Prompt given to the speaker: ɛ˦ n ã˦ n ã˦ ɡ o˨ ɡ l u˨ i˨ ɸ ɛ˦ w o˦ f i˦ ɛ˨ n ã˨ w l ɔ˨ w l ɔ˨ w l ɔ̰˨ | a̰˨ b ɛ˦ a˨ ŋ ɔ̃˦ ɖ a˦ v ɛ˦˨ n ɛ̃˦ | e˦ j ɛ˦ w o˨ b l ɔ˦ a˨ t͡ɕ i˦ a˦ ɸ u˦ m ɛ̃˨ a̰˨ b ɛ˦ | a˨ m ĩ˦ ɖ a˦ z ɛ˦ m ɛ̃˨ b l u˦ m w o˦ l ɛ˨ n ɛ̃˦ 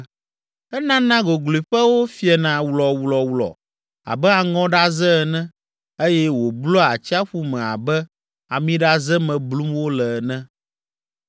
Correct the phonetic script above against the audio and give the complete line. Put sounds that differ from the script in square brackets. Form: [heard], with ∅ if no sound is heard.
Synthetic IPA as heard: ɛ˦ n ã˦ n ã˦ ɡ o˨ ɡ l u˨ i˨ ɸ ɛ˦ w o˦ f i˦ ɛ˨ n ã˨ w l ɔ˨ w l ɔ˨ w l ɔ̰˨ | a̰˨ b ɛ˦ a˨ ŋ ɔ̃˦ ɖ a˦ [z] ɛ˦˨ n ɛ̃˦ | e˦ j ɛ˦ w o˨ b l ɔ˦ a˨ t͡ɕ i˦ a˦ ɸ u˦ m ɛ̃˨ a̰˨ b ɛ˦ | a˨ m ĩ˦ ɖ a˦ z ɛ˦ m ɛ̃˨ b l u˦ m w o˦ l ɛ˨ n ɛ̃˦